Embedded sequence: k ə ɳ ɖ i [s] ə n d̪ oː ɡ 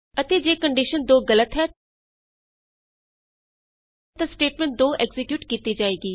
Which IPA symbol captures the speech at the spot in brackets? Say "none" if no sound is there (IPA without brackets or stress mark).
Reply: ʃ